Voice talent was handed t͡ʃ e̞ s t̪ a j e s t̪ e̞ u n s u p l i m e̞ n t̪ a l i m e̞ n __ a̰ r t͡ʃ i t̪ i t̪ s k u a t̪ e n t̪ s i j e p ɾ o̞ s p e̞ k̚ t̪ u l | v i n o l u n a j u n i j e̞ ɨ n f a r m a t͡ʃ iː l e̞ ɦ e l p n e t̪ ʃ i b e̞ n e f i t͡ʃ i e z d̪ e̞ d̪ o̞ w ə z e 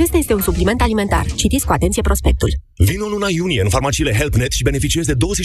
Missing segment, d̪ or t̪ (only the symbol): t̪